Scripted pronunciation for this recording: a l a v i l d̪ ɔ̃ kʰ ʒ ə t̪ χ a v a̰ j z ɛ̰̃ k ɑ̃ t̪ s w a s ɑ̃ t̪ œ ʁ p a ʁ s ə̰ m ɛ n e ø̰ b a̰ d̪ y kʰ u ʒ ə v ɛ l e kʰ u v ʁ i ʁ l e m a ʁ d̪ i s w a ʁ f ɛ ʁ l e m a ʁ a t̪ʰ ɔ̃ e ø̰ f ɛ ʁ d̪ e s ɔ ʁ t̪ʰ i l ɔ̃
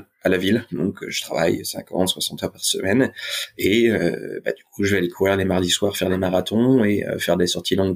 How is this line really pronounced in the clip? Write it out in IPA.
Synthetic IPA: a l a v i l d̪ ɔ̃ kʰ ʒ ə t̪ χ a v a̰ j s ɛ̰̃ k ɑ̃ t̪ s w a s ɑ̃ t̪ œ ʁ p a ʁ s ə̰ m ɛ n e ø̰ b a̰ d̪ y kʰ u ʒ ə v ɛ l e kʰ u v ʁ i ʁ l e m a ʁ d̪ i s w a ʁ f ɛ ʁ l e m a ʁ a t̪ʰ ɔ̃ e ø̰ f ɛ ʁ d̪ e s ɔ ʁ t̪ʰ i l ɔ̃